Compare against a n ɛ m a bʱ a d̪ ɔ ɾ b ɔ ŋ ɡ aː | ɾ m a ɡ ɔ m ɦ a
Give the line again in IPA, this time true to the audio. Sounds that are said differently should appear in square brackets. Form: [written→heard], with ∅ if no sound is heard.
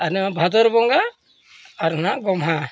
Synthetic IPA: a n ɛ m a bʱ a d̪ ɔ ɾ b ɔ ŋ ɡ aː | ɾ [m→n] a ɡ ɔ m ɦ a